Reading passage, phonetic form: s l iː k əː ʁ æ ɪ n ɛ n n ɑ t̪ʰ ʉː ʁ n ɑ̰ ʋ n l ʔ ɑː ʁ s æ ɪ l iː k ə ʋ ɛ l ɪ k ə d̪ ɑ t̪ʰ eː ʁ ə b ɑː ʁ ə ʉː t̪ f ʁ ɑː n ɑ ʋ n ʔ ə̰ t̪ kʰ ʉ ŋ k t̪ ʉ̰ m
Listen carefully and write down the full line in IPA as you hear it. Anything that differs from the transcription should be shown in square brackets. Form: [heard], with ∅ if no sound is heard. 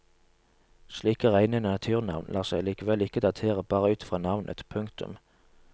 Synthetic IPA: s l iː k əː ʁ æ ɪ n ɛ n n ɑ t̪ʰ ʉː ʁ n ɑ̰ ʋ n l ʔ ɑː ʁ s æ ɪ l iː k ə ʋ ɛ l ɪ k ə d̪ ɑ t̪ʰ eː ʁ ə b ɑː ʁ ə ʉː t̪ f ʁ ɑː n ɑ ʋ n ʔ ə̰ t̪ [pʰ] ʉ ŋ k t̪ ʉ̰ m